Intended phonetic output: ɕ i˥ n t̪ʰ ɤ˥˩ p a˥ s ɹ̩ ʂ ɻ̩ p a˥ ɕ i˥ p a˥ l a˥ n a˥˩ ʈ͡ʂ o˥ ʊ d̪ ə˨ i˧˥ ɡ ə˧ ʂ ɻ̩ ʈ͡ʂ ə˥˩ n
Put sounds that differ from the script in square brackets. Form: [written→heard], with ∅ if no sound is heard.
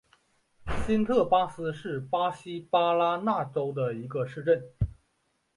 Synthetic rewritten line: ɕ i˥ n t̪ʰ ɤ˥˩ p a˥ s ɹ̩ ʂ ɻ̩ p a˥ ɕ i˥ p a˥ l a˥ n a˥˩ ʈ͡ʂ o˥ ʊ d̪ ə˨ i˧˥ ɡ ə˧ ʂ ɻ̩ ʈ͡ʂ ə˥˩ n